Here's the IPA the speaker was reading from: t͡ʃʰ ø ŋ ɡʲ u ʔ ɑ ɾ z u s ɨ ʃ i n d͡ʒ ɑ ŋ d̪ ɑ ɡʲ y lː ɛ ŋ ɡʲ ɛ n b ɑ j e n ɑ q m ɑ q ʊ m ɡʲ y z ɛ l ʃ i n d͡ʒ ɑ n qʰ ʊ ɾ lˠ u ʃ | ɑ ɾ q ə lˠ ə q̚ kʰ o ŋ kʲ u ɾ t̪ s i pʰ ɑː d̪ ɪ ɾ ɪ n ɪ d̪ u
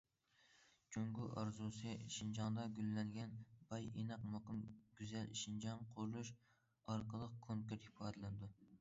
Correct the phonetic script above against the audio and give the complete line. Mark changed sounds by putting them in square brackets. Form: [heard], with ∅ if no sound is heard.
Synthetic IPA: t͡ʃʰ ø ŋ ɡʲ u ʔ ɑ ɾ z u s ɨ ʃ i n d͡ʒ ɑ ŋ d̪ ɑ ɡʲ y lː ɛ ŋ ɡʲ ɛ n b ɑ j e n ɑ q m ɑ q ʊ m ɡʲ y z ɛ l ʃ i n d͡ʒ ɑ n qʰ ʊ ɾ lˠ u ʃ | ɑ ɾ q ə lˠ ə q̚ kʰ o ŋ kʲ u ɾ t̪ [h] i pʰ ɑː d̪ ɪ [l] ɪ n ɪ d̪ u